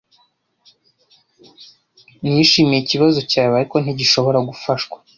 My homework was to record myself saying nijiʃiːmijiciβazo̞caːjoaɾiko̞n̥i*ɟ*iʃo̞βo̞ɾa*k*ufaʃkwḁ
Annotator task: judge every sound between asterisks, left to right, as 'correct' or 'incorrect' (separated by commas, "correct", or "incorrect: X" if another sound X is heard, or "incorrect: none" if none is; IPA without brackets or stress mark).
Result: correct, incorrect: ɡ